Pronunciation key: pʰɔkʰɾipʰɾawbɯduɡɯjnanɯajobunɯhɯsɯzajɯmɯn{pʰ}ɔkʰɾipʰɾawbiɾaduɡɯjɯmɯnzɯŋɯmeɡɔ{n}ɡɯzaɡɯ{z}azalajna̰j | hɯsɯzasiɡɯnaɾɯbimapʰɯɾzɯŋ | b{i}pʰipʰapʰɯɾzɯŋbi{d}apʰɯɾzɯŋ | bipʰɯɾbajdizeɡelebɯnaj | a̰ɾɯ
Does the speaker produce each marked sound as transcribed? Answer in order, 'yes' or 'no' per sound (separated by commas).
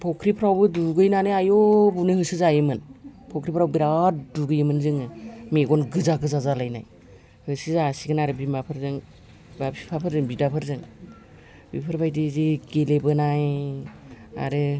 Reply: yes, yes, yes, no, yes